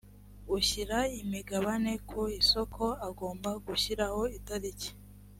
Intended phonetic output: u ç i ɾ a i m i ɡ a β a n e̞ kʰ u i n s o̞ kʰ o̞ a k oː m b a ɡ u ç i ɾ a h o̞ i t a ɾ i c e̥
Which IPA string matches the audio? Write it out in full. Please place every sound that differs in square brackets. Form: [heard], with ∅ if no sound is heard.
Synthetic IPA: u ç i ɾ a i m i ɡ a β a n e̞ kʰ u i [∅] s o̞ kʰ o̞ a [ɡ] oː m b a ɡ u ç i ɾ a h o̞ i t a ɾ i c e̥